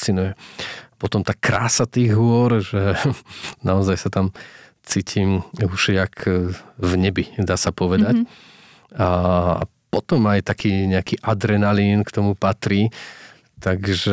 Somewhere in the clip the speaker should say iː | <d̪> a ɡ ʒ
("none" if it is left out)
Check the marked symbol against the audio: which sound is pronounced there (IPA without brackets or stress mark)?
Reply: t̪